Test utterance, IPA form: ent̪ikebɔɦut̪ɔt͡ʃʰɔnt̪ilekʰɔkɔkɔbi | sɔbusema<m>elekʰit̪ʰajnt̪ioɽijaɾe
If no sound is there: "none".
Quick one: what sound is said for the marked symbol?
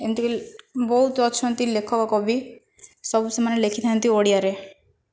n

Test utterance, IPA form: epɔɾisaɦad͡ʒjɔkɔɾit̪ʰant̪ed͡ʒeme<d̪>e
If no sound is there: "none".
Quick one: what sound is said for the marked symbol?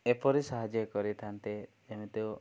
t̪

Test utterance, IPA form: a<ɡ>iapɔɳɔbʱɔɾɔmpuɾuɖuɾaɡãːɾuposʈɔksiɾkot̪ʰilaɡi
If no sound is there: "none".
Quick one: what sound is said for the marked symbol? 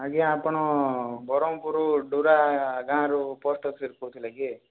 ɡ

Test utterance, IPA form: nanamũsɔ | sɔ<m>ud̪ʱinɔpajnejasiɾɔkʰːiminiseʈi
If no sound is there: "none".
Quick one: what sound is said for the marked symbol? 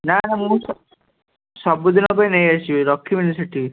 b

